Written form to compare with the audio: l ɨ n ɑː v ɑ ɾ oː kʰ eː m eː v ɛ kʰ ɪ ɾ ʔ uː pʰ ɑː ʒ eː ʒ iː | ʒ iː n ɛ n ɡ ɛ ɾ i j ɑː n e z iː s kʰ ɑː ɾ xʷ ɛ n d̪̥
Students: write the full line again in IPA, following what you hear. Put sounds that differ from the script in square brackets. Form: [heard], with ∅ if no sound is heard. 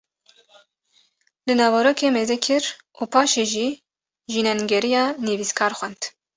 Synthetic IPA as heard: l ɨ n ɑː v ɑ ɾ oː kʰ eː m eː [z] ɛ kʰ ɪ ɾ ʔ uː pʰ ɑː [ʃ] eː ʒ iː | ʒ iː n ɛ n ɡ ɛ ɾ i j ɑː n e [v] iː s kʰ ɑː ɾ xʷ ɛ n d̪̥